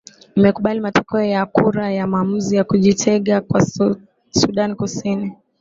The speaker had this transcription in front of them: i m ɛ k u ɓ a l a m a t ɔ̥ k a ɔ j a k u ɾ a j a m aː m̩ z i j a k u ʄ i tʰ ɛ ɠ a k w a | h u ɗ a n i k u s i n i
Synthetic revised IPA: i m ɛ k u ɓ a l i m a t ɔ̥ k ɛ ɔ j a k u ɾ a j a m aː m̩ z i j a k u ʄ i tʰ ɛ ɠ a k w a | s u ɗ a n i k u s i n i